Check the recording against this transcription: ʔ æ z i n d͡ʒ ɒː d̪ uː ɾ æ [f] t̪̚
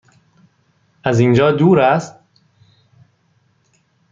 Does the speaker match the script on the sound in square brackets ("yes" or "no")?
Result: no